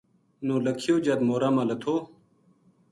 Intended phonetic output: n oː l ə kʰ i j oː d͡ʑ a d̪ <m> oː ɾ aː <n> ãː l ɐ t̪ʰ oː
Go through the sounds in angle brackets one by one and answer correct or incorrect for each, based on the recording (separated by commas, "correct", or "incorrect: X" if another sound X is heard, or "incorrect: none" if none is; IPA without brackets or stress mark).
correct, incorrect: m